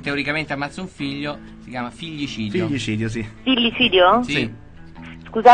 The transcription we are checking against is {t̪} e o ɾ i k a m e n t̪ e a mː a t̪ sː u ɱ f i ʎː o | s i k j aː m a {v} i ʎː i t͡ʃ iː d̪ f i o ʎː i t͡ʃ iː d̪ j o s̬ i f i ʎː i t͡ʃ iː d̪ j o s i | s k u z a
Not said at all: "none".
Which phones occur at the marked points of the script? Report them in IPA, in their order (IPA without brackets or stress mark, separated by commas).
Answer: t̪, f